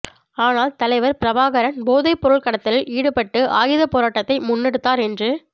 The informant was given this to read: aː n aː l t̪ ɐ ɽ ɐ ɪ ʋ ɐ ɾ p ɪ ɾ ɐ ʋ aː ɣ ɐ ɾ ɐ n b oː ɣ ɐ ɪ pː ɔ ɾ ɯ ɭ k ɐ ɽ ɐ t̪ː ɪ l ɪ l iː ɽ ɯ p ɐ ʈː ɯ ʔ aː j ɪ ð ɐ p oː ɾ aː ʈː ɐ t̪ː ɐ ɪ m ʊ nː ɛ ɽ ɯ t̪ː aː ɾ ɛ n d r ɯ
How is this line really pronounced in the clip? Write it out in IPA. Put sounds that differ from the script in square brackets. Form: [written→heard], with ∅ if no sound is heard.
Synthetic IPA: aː n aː l t̪ ɐ [ɽ→l] ɐ ɪ ʋ ɐ ɾ p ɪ ɾ ɐ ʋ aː ɣ ɐ ɾ ɐ n b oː [ɣ→ð] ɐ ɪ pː ɔ ɾ ɯ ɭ k ɐ ɽ ɐ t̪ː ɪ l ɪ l iː ɽ ɯ p ɐ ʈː ɯ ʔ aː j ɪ ð ɐ p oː ɾ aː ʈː ɐ t̪ː ɐ ɪ m ʊ nː ɛ ɽ ɯ t̪ː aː ɾ ɛ n d r ɯ